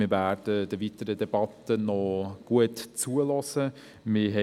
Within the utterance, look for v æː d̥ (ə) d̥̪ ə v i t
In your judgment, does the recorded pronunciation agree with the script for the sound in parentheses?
yes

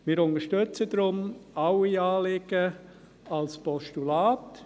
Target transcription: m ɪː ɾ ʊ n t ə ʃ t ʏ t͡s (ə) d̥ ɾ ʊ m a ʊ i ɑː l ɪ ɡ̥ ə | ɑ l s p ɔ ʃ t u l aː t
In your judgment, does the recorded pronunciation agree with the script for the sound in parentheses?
yes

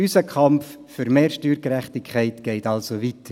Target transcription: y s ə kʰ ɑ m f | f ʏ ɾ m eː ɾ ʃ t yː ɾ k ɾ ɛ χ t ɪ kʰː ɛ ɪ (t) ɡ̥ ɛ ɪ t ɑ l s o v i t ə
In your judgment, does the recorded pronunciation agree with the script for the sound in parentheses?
yes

